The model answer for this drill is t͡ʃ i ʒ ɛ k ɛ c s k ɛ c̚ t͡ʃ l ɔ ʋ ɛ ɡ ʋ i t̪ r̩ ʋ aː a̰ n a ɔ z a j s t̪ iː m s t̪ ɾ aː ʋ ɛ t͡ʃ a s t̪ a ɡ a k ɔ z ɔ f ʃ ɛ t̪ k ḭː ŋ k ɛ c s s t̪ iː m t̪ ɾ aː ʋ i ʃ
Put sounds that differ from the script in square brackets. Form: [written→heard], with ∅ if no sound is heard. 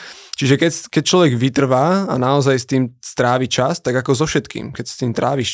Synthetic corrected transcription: t͡ʃ i ʒ ɛ k ɛ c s k ɛ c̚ t͡ʃ l ɔ ʋ ɛ ɡ ʋ i t̪ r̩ ʋ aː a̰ n a ɔ z a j s t̪ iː m s t̪ ɾ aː ʋ [ɛ→i] t͡ʃ a s t̪ a ɡ a k ɔ z ɔ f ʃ ɛ t̪ k ḭː [ŋ→m] k ɛ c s s t̪ iː m t̪ ɾ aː ʋ i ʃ